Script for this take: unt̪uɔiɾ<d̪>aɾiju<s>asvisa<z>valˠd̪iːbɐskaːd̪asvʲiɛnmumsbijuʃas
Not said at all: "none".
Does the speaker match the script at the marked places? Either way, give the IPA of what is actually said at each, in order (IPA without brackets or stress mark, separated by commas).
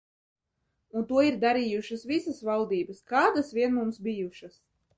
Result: d̪, ʃ, s